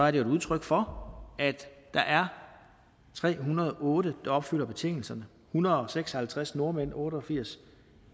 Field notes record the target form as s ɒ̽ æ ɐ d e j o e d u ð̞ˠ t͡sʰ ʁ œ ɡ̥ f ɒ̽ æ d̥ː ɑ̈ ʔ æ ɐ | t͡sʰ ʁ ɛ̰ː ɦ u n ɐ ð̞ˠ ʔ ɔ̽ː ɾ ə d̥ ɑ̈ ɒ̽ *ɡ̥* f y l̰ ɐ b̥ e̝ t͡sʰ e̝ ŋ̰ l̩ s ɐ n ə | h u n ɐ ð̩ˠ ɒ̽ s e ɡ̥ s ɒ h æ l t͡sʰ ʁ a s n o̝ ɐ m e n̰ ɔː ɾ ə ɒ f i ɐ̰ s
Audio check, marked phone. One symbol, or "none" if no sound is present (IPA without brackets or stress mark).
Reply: b̥